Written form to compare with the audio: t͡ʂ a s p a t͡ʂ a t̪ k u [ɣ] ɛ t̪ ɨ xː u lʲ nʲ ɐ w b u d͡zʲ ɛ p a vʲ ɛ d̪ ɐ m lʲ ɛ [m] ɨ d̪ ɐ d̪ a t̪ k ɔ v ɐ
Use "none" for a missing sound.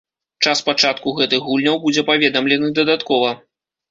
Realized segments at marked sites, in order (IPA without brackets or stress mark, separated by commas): ɣ, n